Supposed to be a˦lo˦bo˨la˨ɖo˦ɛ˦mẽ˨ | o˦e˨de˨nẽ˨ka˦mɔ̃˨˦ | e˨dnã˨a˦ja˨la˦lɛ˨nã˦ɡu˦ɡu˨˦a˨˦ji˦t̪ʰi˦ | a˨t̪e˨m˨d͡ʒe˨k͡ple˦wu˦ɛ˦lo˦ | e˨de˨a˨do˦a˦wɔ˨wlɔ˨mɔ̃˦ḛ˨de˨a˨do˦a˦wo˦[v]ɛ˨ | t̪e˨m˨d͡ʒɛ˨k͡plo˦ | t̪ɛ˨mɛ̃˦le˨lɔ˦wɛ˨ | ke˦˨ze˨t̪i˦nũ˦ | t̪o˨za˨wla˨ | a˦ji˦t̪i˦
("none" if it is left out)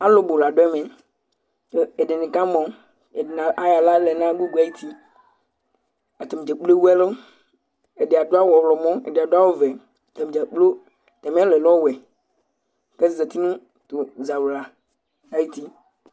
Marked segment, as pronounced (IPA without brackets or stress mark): v